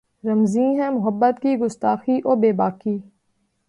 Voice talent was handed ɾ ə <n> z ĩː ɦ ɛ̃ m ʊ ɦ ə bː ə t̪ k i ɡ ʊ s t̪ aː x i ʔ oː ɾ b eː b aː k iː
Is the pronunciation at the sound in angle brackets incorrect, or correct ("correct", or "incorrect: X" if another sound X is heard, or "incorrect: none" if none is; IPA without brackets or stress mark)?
incorrect: m